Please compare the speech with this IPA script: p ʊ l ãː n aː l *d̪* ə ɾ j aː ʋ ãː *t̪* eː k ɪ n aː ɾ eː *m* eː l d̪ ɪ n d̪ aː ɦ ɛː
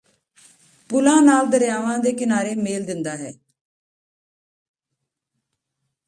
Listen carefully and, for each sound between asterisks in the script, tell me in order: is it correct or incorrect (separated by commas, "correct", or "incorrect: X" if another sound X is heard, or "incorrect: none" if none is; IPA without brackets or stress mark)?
correct, incorrect: d̪, correct